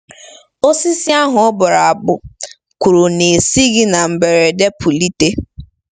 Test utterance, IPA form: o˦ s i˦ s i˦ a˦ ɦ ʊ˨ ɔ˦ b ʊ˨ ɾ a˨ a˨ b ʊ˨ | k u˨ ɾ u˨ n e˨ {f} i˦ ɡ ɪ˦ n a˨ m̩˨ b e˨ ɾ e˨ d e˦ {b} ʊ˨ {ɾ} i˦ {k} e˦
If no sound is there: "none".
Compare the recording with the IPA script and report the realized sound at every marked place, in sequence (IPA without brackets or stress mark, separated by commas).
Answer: s, p, l, t